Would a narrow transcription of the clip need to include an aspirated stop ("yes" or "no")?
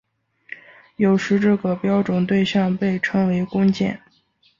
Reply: yes